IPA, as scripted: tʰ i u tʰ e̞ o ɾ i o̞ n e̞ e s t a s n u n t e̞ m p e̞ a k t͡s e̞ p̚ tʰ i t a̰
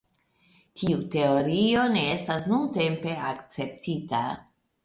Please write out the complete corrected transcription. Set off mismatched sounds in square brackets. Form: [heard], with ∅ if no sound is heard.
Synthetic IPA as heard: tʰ i u [t] e̞ o ɾ i o̞ n e̞ e s t a s n u n t e̞ m p e̞ a k t͡s e̞ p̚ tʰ i t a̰